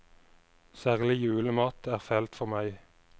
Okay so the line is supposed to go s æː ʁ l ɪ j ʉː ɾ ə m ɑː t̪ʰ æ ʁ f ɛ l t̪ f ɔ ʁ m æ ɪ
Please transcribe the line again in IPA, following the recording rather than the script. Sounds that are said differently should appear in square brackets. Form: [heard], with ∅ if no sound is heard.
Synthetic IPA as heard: s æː ʁ l ɪ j ʉː [l] ə m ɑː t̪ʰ [æː] ʁ f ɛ l t̪ f ɔ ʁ m æ ɪ